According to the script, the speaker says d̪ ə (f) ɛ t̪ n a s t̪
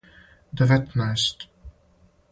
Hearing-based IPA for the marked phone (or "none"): v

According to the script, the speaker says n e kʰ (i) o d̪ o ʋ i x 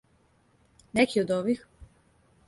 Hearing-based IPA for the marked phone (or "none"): i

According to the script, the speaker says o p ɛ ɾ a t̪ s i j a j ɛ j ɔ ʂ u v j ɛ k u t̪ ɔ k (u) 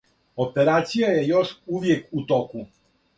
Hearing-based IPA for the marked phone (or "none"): u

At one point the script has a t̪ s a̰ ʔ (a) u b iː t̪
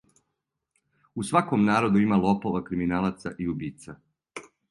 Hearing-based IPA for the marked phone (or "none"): i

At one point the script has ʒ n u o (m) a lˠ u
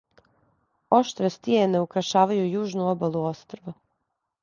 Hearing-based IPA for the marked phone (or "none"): b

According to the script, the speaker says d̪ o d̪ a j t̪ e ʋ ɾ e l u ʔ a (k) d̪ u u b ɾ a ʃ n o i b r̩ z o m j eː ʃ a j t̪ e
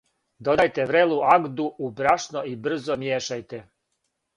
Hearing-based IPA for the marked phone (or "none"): ɡ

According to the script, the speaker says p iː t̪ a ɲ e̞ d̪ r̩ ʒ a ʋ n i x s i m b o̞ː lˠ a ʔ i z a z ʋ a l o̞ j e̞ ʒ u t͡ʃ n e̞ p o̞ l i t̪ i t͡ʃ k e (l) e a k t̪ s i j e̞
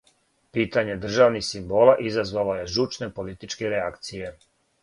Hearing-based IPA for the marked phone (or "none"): ɾ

